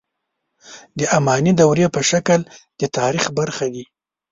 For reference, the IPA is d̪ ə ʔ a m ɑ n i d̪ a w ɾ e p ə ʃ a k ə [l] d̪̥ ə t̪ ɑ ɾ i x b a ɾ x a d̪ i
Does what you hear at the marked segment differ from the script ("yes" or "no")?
no